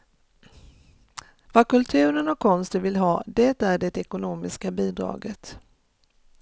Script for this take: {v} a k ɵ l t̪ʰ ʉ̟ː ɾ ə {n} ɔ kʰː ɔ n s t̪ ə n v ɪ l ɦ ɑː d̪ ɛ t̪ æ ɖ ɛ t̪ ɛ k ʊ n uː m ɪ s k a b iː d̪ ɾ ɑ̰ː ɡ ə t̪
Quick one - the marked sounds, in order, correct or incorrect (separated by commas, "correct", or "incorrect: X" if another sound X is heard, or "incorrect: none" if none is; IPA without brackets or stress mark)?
correct, correct